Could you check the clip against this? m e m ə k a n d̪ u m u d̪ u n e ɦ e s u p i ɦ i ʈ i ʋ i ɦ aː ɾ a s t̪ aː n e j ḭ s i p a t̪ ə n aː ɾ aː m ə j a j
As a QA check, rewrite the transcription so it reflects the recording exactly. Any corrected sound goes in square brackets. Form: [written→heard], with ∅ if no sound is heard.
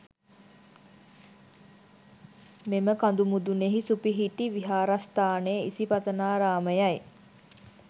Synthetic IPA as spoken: m e m ə k a n d̪ u m u d̪ u n e ɦ [e→i] s u p i ɦ i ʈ i ʋ i ɦ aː ɾ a s t̪ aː n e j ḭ s i p a t̪ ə n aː ɾ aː m ə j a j